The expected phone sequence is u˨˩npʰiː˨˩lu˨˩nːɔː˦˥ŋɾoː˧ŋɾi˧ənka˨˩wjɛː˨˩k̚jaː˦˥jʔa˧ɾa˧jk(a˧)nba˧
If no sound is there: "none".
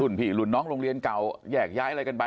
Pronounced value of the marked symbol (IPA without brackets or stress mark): a˧